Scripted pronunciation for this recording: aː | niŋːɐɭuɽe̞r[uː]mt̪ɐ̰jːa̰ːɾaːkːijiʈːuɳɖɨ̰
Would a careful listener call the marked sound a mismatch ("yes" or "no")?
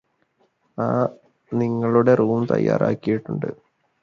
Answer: no